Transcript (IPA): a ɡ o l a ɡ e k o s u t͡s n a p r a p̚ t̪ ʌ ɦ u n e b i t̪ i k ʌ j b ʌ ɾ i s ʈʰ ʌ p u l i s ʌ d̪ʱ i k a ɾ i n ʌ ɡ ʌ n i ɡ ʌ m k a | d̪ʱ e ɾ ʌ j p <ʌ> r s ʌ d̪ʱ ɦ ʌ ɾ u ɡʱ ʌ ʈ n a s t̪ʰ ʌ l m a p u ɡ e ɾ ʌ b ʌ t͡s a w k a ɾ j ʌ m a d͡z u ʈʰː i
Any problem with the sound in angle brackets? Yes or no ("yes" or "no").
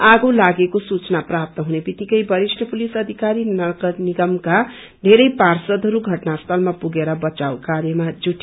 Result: yes